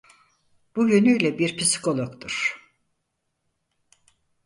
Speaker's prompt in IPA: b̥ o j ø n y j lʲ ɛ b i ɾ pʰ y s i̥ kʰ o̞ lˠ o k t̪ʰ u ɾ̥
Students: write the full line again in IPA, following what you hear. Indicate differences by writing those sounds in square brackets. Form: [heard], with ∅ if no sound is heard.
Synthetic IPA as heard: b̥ [u] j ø n y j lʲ ɛ b i ɾ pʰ [i] s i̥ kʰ o̞ lˠ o k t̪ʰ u ɾ̥